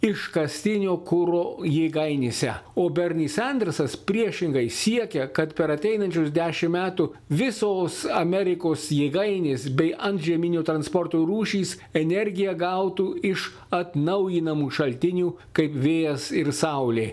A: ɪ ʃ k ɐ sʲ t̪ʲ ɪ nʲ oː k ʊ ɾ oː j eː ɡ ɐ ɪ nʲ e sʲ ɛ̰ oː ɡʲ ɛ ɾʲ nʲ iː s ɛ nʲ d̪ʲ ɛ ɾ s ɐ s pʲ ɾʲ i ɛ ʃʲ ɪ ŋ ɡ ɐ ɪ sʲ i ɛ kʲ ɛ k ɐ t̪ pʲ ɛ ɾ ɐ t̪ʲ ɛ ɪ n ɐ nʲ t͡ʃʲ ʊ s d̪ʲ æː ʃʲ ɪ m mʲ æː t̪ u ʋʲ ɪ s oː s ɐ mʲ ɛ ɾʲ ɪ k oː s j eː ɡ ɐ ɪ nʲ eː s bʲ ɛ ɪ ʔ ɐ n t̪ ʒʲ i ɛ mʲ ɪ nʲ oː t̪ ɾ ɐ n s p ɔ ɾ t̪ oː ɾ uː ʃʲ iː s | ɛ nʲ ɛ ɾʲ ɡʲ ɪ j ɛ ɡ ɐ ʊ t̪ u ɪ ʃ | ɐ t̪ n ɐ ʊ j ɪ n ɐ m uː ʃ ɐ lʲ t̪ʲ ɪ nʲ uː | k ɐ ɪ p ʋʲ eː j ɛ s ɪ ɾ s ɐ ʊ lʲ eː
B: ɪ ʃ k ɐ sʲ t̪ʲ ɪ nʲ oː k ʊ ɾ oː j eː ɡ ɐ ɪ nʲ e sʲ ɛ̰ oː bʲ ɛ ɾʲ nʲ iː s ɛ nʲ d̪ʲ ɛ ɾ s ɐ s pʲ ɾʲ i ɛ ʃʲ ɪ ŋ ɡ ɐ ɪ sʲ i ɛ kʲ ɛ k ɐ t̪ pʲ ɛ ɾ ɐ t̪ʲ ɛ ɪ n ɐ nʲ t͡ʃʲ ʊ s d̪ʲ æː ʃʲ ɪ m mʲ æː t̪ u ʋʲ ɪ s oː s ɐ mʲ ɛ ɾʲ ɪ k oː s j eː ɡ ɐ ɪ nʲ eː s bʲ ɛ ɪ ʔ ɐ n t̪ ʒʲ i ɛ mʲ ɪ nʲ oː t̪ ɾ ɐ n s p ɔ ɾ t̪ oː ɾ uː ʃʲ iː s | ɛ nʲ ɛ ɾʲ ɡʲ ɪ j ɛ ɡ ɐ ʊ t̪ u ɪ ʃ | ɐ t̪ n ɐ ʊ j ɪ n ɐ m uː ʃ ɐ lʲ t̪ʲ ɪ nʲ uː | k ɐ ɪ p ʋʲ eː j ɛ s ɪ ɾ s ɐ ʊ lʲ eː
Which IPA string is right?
B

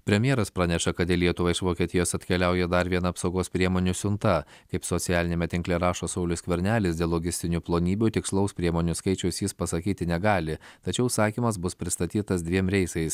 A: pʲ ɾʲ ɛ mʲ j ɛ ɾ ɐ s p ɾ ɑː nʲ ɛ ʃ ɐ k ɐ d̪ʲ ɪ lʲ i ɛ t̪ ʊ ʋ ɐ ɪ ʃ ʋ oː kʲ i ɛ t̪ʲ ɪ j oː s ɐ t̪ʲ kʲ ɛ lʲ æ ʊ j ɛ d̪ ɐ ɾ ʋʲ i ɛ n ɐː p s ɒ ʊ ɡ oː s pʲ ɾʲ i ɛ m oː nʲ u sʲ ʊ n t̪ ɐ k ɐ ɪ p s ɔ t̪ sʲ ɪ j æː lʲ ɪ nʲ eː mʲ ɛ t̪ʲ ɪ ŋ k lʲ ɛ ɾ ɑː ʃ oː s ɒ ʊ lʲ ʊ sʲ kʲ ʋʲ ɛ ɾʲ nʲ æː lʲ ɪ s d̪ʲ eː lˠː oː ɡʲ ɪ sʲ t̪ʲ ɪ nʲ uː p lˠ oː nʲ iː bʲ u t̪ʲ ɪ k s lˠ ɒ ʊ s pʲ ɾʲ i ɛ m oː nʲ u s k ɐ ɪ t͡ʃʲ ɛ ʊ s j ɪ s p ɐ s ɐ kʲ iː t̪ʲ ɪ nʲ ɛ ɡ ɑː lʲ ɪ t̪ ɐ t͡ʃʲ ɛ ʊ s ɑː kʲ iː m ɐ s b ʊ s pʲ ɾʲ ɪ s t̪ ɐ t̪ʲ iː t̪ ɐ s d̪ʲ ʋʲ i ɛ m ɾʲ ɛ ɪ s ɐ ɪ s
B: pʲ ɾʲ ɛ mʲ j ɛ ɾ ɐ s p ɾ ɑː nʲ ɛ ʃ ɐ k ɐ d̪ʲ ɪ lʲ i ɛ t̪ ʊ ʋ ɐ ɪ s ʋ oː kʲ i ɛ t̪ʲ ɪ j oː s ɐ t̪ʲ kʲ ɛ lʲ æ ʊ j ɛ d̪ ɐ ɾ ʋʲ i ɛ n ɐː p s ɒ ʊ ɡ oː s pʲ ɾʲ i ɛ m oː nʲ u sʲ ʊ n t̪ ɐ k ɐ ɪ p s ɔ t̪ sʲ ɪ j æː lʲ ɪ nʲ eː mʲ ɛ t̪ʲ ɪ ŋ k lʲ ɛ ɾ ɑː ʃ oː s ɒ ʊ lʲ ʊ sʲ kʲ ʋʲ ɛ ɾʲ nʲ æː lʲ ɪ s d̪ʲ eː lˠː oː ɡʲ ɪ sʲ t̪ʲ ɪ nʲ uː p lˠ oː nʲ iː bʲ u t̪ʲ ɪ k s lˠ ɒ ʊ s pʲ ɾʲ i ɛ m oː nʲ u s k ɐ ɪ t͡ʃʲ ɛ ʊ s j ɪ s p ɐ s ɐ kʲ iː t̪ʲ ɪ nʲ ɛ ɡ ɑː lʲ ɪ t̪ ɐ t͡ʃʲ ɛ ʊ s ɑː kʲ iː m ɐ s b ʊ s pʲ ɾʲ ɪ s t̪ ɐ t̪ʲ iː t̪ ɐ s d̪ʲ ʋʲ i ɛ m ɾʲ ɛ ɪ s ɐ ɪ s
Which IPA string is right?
A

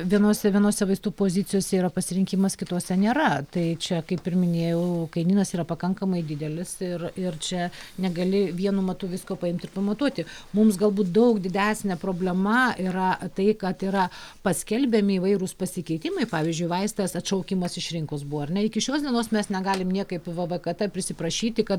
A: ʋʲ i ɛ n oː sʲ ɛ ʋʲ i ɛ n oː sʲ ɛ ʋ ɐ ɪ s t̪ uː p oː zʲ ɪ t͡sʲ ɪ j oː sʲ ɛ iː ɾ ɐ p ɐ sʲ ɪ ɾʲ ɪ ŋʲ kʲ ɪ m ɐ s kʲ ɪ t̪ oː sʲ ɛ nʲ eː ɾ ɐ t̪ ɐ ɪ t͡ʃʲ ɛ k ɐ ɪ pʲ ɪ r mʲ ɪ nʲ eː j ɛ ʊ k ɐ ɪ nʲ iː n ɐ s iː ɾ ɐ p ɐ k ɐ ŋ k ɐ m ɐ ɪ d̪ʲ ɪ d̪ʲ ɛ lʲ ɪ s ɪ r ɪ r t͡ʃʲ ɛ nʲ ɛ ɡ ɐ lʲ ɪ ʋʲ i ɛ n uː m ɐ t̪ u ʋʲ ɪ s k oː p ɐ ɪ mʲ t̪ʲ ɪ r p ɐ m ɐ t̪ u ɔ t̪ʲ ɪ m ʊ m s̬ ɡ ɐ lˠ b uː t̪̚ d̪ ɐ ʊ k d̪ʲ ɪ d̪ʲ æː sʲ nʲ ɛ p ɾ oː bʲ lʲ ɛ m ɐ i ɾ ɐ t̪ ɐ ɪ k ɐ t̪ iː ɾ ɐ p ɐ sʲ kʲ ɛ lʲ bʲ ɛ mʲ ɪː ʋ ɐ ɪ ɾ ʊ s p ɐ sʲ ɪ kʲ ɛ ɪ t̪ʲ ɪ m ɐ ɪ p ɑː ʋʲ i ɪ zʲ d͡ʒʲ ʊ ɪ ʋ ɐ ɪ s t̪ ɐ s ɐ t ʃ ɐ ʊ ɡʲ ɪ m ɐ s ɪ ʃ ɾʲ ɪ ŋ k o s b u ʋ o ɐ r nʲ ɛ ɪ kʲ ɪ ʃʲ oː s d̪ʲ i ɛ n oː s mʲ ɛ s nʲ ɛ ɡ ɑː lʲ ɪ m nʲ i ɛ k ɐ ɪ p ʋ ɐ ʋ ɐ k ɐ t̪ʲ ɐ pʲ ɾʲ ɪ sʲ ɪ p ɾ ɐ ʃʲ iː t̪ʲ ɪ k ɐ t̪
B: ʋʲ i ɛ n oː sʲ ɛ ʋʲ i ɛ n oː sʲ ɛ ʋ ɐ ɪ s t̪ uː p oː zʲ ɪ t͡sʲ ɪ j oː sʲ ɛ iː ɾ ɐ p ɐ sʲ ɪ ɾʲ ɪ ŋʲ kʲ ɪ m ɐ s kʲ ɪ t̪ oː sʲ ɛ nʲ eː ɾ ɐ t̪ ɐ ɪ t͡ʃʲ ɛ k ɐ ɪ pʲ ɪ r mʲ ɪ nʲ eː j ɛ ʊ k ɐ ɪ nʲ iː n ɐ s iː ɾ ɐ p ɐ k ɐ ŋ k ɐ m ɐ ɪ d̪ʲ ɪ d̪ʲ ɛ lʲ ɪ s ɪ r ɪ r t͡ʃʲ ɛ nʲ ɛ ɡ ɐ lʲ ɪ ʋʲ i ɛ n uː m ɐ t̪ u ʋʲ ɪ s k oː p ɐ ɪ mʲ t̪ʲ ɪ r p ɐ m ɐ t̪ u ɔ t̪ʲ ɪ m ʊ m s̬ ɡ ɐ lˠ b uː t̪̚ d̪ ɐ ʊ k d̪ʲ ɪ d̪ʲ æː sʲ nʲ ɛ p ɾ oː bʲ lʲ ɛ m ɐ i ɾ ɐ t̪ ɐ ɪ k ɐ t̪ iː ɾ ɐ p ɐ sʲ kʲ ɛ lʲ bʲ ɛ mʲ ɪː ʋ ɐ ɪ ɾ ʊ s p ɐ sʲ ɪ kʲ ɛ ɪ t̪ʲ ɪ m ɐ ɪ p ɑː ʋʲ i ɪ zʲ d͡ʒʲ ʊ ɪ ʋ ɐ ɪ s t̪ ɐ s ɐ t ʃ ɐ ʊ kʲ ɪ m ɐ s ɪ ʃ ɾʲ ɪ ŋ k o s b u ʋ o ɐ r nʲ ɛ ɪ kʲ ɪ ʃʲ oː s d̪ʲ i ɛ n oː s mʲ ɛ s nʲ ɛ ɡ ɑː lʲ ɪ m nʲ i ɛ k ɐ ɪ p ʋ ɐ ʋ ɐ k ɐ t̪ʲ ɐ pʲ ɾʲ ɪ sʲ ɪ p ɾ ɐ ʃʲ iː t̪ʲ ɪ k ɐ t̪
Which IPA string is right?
B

